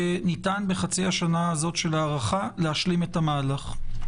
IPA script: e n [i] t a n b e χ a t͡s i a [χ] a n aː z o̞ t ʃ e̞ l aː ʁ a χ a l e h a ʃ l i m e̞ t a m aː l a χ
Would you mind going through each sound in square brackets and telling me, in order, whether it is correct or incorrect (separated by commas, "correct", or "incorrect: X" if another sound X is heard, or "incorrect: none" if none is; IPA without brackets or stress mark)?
correct, incorrect: ʃ